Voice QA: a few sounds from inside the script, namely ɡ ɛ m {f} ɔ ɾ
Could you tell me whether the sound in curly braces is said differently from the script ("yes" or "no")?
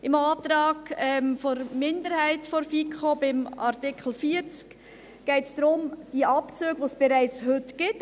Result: no